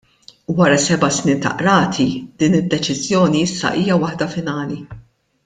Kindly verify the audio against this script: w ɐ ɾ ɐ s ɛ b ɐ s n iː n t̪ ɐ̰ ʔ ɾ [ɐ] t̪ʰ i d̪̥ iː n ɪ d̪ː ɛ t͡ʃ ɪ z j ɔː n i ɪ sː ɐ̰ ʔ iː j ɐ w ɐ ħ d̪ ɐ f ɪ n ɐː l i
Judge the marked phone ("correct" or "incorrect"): incorrect